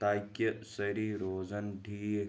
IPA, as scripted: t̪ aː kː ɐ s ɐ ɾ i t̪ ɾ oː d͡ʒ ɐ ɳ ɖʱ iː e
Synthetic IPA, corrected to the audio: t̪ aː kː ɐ s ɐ ɾ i ɾ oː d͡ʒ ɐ n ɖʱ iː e